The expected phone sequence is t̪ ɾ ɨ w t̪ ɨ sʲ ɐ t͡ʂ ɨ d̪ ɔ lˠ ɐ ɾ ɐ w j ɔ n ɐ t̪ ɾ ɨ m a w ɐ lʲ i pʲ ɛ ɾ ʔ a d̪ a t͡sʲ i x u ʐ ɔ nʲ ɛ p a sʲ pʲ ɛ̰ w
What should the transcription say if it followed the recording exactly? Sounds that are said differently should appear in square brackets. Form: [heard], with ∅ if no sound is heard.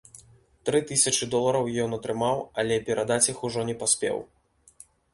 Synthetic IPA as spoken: t̪ ɾ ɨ [∅] t̪ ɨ sʲ ɐ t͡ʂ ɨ d̪ ɔ lˠ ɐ ɾ ɐ w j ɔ n ɐ t̪ ɾ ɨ m a w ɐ lʲ [ɛ] pʲ ɛ ɾ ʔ a d̪ a t͡sʲ i x u ʐ ɔ nʲ ɛ p a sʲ pʲ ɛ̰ w